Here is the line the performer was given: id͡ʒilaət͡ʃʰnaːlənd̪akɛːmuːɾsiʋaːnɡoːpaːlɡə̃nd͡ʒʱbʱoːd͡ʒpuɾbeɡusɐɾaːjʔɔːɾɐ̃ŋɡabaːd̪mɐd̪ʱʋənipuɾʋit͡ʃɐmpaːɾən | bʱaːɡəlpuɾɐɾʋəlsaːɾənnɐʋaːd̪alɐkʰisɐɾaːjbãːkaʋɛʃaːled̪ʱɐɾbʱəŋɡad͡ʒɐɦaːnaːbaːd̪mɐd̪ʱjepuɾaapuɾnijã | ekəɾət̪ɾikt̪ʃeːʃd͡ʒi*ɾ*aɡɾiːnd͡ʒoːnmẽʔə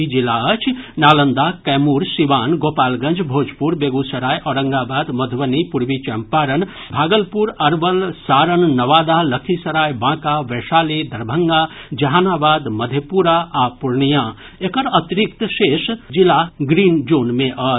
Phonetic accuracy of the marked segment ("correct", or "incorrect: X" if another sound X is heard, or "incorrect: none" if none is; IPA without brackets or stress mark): incorrect: l